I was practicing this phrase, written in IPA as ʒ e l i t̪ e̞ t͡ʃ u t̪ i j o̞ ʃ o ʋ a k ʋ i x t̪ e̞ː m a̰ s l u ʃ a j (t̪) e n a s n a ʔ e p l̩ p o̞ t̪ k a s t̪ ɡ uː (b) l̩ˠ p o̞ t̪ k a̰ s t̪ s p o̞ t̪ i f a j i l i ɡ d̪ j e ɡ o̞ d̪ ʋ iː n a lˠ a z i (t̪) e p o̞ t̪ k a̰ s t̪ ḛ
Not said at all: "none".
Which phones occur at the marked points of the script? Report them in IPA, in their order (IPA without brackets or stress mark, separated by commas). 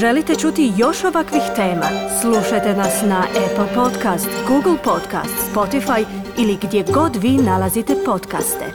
t̪, ɡ, t̪